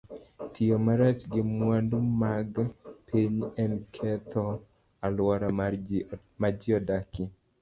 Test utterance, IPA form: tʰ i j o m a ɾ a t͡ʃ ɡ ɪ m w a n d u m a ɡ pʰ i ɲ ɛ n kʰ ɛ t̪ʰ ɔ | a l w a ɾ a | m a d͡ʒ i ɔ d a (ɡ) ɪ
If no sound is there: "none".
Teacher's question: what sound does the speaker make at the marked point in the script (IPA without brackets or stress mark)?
k